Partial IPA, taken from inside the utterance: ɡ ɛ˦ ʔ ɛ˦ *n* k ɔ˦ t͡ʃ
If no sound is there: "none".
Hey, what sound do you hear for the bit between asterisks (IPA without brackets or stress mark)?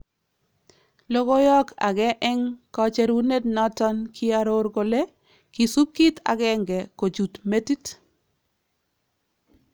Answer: ŋ